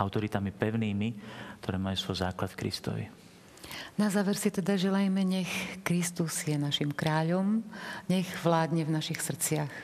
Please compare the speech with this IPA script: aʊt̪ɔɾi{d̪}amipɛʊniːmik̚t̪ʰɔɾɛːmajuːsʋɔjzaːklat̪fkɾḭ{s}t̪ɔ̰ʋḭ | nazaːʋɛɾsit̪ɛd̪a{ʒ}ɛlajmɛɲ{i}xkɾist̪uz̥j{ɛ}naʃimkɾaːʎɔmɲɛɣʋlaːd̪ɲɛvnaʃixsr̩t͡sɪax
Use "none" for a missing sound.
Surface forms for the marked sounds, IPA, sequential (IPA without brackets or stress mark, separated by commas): t̪, s, ʒ, ɛ, ɛ